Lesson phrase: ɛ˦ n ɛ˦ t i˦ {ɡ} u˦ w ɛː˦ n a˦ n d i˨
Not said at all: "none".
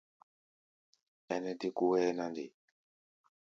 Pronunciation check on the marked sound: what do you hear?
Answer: k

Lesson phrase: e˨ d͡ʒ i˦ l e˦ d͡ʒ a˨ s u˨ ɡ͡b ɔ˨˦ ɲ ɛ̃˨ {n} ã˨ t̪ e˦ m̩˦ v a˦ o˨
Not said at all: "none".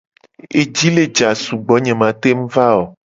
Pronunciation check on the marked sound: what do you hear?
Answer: m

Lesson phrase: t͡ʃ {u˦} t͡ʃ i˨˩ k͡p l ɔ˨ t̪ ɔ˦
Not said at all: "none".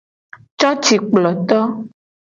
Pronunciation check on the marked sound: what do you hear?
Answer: ɔ˦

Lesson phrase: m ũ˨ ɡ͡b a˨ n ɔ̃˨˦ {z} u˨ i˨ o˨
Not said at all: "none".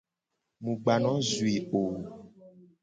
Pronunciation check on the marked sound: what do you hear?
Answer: z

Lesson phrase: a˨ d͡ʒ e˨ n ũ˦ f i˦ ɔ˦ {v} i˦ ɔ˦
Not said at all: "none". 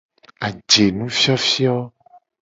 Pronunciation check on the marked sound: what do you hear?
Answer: f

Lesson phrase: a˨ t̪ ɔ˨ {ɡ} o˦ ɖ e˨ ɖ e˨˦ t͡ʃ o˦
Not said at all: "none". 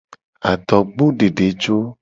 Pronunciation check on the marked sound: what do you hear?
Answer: ɡ͡b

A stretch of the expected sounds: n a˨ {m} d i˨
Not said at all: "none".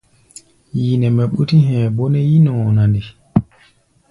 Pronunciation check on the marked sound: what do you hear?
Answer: n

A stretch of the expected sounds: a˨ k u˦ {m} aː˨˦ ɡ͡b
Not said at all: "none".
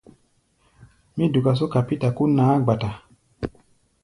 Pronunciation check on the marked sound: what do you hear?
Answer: n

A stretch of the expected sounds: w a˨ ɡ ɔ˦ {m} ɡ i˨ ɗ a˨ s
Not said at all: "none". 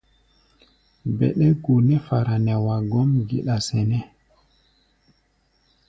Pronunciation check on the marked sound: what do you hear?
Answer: m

